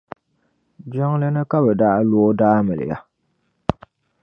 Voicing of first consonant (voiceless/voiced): voiced